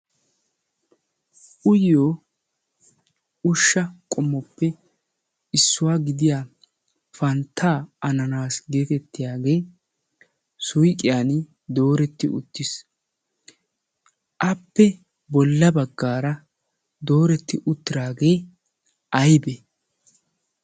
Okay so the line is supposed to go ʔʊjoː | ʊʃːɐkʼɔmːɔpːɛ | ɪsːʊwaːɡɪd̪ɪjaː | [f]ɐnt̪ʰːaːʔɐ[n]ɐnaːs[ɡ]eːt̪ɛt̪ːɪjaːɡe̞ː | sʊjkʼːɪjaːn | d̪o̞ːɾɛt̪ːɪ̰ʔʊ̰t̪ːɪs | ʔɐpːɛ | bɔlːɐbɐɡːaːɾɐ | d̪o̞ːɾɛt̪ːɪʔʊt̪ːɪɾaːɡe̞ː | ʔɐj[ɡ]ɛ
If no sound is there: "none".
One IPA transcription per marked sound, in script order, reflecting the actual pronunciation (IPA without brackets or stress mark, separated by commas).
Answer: f, n, ɡ, b